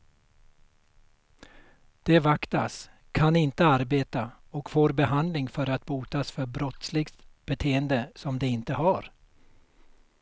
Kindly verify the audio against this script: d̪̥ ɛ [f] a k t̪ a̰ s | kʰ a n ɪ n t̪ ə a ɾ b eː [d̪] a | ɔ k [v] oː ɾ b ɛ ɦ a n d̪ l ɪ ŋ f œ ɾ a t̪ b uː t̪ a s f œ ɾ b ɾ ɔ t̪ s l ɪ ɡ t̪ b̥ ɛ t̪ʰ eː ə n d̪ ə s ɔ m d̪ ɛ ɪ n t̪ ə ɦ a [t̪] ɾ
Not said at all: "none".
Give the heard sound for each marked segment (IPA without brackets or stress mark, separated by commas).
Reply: v, t̪, f, none